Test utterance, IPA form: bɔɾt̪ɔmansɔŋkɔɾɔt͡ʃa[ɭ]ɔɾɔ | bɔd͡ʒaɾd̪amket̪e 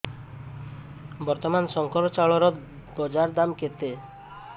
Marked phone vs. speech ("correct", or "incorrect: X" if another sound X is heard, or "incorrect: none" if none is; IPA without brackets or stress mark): correct